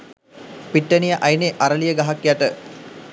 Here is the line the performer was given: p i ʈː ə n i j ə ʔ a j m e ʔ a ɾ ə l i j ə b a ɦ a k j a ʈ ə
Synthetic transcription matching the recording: p i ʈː ə n i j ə ʔ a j n e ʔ a ɾ ə l i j ə ɡ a ɦ a k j a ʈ ə